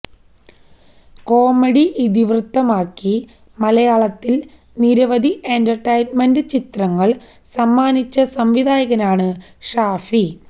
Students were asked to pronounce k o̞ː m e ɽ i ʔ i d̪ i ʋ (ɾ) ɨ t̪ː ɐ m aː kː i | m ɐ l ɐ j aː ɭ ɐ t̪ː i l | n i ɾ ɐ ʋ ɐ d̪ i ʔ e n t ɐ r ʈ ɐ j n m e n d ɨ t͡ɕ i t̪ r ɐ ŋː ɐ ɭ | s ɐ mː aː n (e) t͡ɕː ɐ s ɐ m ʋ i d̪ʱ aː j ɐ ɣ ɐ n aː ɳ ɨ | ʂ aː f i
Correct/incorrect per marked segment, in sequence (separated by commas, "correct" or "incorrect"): incorrect, incorrect